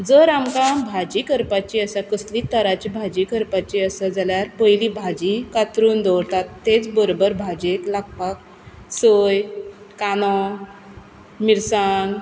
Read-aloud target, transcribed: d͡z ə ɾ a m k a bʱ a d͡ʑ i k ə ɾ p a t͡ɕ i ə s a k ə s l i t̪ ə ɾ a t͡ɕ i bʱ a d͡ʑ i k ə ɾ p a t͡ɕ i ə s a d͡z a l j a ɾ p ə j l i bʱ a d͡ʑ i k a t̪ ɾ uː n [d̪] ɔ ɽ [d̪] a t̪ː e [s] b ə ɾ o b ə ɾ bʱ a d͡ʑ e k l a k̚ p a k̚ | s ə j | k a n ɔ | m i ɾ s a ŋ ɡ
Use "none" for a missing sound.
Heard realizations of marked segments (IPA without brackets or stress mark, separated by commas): d̪, t̪, t͡s